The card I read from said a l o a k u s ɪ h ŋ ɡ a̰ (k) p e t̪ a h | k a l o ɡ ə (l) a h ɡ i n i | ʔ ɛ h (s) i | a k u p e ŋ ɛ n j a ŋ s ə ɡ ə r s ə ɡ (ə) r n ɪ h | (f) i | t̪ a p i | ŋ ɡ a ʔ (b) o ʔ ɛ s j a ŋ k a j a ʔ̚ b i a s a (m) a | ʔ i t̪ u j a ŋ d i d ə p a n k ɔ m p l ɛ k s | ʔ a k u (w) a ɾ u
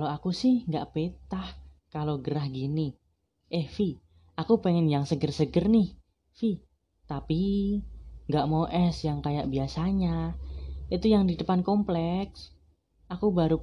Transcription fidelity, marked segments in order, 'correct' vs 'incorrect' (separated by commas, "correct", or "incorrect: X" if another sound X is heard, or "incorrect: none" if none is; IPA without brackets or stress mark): incorrect: ʔ, incorrect: ɾ, incorrect: f, correct, correct, incorrect: m, incorrect: ɲ, incorrect: b